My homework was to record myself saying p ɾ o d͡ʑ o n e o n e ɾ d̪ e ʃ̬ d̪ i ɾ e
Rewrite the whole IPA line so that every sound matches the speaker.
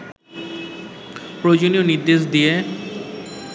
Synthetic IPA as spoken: p ɾ o d͡ʑ o n i o n i ɾ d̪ e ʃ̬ d̪ i e

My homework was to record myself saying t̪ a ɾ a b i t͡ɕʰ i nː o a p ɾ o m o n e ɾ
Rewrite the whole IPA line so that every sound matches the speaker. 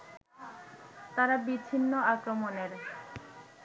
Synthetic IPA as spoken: t̪ a ɾ a b i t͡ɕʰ i nː o a k ɾ o m o n e ɾ

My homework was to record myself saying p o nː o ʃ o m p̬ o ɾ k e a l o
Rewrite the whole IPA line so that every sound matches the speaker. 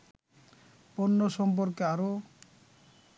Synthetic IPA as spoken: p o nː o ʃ ɔ m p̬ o ɾ k e a ɾ o

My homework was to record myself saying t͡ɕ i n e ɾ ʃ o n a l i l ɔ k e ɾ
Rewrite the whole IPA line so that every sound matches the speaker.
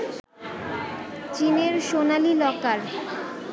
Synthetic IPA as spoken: t͡ɕ i n e ɾ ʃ o n a l i l ɔ k a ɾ

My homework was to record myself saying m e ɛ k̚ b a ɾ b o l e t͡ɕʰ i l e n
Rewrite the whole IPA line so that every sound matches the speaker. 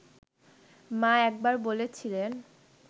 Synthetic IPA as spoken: m a ɛ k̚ b a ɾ b o l e t͡ɕʰ i l e n

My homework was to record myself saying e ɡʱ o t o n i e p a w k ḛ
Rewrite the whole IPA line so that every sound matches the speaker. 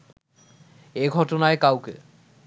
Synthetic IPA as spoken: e ɡʱ ɔ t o n a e k a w k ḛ

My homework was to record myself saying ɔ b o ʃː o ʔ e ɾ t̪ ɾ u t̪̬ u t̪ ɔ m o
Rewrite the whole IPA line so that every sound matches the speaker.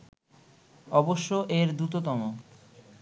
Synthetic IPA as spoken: ɔ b o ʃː o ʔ e ɾ d̪ ɾ u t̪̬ o t̪ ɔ m o

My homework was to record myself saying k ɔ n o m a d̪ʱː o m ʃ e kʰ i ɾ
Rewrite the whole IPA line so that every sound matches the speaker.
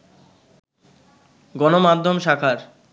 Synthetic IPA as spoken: ɡ ɔ n o m a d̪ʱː o m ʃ a kʰ a ɾ

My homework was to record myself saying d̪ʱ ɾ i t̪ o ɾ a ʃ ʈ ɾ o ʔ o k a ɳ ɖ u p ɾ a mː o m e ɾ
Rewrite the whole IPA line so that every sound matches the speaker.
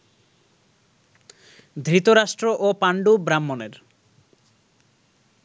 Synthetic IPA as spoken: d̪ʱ ɾ i t̪ o ɾ a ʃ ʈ ɾ o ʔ o p a ɳ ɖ u b ɾ a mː o n e ɾ

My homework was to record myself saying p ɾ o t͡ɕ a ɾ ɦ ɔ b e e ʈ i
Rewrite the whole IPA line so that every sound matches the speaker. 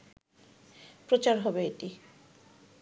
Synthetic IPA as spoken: p ɾ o t͡ɕ a ɾ ɦ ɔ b e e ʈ i

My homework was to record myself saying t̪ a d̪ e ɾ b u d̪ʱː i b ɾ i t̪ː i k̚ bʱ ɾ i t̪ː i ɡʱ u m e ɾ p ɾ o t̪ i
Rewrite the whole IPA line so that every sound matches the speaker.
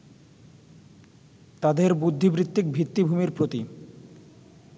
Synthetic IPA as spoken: t̪ a d̪ e ɾ b u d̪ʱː i b ɾ i t̪ː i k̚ bʱ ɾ i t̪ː i bʱ u m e ɾ p ɾ o t̪ i

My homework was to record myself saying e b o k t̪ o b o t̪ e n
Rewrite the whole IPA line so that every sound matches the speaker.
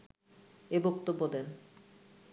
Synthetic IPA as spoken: e b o k t̪ o bː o d̪ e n

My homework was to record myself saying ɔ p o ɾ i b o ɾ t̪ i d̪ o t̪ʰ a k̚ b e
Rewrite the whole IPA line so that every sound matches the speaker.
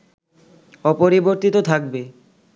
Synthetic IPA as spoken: ɔ p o ɾ i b o ɾ t̪ i t̪ o t̪ʰ a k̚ b e

